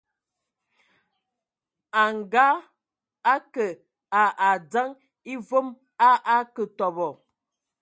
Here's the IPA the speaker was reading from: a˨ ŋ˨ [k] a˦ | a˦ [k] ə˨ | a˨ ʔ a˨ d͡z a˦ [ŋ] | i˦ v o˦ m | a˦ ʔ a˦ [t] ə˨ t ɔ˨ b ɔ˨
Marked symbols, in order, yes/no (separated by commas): no, yes, yes, no